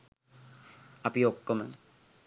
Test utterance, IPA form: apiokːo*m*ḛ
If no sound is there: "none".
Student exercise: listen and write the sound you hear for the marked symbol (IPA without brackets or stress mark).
m